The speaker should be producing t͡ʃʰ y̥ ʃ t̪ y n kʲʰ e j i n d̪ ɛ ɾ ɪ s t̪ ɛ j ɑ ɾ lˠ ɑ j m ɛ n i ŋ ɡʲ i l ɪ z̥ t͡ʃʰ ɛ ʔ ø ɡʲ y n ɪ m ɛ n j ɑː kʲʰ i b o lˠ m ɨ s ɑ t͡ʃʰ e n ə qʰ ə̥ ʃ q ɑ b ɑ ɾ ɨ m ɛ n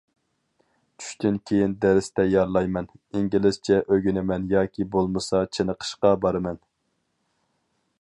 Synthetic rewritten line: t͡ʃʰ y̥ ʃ t̪ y n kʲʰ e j i n d̪ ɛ ɾ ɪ s t̪ ɛ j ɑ ɾ lˠ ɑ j m ɛ n i ŋ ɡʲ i l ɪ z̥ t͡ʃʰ ɛ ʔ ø ɡʲ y n ɪ m ɛ n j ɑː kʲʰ i b o lˠ m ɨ s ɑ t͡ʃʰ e n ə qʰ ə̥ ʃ q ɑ b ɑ ɾ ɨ m ɛ n